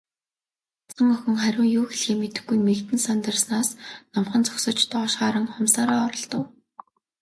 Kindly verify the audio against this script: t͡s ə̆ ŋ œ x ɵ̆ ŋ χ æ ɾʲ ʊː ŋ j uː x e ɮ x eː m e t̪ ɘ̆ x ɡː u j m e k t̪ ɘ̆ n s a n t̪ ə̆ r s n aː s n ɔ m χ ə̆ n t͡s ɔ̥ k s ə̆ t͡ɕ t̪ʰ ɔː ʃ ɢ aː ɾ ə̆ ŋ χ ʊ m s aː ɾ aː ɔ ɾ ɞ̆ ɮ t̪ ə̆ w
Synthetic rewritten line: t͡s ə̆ ŋ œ x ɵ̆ ŋ χ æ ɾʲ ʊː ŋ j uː x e ɮ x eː m e t̪ ɘ̆ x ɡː u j m e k t̪ ɘ̆ n s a n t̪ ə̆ r s n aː s n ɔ m χ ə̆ n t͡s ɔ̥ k s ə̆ t͡ɕ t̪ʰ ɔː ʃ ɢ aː ɾ ə̆ ŋ χ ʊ m s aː ɾ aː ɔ ɾ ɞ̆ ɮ t̪ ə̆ w